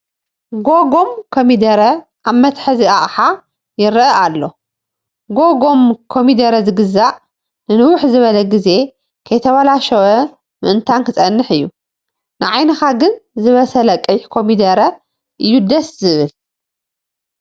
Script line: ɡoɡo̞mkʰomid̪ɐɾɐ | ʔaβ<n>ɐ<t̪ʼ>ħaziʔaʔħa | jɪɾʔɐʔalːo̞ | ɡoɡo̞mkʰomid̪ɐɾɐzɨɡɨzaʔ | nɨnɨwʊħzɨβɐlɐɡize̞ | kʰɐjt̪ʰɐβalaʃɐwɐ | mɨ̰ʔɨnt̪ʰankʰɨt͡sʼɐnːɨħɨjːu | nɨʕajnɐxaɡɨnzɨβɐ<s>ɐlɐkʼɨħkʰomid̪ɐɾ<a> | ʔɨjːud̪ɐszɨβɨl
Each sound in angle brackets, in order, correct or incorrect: incorrect: m, incorrect: t̪, correct, incorrect: ɐ

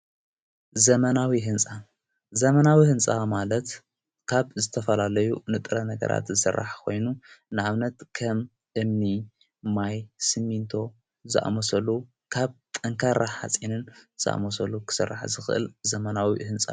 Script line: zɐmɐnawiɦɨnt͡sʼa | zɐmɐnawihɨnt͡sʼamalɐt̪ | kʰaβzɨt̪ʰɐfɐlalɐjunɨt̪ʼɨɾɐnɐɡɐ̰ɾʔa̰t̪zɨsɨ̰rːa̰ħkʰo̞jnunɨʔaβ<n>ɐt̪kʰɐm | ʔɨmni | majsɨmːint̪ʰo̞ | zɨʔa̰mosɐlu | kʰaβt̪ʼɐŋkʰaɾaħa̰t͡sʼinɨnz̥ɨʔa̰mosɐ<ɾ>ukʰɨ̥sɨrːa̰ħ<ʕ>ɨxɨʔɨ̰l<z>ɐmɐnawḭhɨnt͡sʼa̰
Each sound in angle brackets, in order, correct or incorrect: correct, incorrect: l, incorrect: z, correct

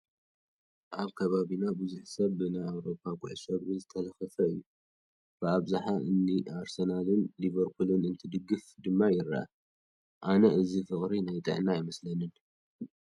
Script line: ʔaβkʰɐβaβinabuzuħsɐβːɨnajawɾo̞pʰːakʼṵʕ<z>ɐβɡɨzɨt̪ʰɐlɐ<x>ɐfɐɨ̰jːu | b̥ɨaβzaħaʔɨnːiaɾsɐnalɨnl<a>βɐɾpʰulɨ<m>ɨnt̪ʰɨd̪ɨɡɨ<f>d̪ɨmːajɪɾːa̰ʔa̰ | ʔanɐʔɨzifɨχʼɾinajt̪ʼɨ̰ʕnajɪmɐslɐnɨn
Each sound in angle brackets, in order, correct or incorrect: incorrect: s, correct, incorrect: i, incorrect: n, correct

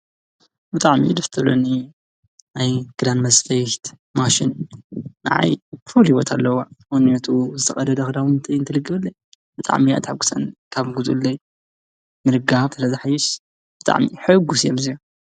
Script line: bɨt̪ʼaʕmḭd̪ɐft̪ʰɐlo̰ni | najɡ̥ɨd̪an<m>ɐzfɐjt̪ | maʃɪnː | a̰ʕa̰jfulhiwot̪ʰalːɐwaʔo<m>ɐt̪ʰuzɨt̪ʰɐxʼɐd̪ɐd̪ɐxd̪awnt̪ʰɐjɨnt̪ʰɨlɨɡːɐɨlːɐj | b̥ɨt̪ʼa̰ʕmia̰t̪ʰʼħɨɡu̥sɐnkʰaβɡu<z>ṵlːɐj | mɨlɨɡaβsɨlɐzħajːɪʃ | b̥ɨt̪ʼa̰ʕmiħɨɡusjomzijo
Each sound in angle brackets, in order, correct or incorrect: correct, incorrect: n, correct

